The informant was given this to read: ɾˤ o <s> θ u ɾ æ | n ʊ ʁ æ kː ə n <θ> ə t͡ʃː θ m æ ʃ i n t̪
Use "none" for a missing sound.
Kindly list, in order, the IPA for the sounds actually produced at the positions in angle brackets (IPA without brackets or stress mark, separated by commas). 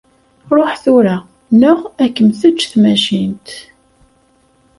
ħ, θ